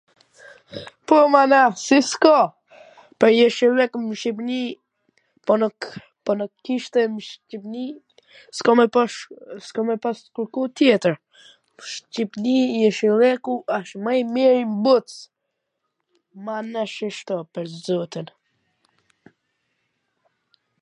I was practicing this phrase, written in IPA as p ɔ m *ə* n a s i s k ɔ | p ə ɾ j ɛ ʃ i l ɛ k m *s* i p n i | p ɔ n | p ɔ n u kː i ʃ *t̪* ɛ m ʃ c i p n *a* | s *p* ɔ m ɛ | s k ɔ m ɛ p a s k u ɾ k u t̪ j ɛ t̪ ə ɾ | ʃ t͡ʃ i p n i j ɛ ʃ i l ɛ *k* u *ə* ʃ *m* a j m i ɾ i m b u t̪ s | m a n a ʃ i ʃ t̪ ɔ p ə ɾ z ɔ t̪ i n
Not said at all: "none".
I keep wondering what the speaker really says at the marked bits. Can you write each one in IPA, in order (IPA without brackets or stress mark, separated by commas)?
a, ʃ, t̪, i, k, k, a, m